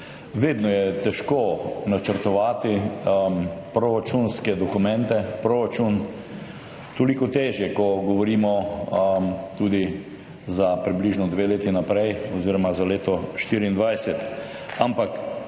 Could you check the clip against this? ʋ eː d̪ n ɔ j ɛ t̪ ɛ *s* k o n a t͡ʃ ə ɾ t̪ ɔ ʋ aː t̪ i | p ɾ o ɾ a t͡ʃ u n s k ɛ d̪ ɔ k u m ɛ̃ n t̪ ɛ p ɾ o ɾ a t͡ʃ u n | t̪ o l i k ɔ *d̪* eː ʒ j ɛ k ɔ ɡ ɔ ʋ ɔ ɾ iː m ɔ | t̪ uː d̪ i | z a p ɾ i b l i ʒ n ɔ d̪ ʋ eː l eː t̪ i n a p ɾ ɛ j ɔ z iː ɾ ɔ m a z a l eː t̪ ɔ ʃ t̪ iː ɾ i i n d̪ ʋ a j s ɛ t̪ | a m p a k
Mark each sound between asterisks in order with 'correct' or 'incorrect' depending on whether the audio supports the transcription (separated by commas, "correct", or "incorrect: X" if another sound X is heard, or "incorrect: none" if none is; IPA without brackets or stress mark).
incorrect: ʃ, incorrect: t̪